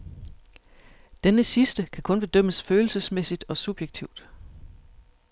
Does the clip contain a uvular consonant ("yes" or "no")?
no